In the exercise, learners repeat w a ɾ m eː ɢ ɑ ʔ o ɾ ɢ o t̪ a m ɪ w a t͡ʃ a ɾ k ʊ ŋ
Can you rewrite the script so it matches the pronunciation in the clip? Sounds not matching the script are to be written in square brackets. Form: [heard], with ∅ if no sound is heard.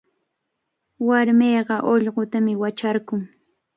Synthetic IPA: w a ɾ m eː ɢ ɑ ʔ o [ʎ] ɢ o t̪ a m ɪ w a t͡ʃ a ɾ k ʊ ŋ